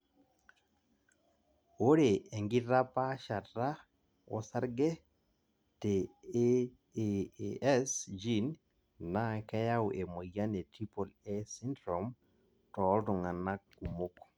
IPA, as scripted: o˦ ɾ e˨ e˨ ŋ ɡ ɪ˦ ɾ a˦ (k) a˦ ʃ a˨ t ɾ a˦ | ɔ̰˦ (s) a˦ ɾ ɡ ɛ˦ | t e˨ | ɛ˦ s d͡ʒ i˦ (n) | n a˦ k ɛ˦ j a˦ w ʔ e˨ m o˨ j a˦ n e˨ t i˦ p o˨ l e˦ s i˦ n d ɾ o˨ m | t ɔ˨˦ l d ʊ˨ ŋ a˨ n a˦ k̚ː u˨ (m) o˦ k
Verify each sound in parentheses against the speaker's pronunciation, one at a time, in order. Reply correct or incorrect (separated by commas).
incorrect, correct, correct, correct